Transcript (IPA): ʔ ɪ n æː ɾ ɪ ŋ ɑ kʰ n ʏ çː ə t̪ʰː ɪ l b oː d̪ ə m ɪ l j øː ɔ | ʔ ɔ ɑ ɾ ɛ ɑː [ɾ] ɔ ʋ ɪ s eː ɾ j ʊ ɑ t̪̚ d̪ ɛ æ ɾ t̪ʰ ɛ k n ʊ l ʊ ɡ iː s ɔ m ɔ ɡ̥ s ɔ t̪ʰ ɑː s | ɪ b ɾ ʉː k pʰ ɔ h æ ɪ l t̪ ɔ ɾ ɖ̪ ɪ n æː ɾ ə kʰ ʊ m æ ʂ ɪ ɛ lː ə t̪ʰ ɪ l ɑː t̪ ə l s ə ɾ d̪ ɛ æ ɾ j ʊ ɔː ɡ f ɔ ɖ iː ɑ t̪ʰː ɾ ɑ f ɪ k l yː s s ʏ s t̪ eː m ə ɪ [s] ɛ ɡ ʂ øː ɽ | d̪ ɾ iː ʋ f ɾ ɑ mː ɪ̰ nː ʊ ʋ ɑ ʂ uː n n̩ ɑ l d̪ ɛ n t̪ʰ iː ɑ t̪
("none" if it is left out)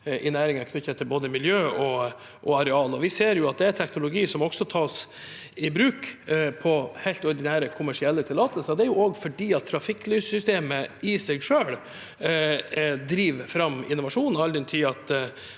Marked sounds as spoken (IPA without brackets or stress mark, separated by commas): l, s